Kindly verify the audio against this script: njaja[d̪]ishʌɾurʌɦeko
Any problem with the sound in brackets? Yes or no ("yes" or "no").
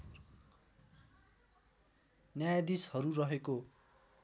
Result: no